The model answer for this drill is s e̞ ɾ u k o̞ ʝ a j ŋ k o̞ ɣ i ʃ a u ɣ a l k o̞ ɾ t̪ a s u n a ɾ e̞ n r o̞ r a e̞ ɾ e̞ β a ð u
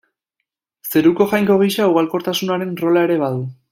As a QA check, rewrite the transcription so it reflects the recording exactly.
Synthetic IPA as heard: s e̞ ɾ u k o̞ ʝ a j ŋ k o̞ ɣ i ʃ a u ɣ a l k o̞ ɾ t̪ a s u n a ɾ e̞ n r o̞ l a e̞ ɾ e̞ β a ð u